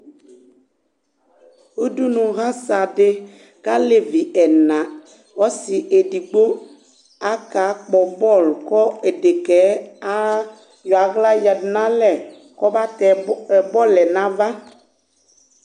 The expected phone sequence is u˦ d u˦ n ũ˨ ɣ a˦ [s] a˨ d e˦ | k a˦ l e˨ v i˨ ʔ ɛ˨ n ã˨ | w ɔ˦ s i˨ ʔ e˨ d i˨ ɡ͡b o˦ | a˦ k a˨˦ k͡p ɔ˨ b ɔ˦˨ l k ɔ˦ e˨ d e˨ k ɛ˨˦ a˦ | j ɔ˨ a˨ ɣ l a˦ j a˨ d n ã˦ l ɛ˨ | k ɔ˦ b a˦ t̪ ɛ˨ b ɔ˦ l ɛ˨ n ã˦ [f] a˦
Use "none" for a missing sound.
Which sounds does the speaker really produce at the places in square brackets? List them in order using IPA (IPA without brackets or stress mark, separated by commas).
s, v